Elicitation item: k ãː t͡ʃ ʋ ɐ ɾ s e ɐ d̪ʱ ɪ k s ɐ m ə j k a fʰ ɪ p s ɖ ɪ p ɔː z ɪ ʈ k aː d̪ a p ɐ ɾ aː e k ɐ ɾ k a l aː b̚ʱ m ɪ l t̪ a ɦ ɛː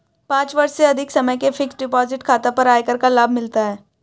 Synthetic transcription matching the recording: p ãː t͡ʃ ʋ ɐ ɾ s e ɐ d̪ʱ ɪ k s ɐ m ə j k e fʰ ɪ k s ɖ ɪ p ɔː z ɪ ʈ kʰ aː t̪ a p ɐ ɾ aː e k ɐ ɾ k a l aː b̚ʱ m ɪ l t̪ a ɦ ɛː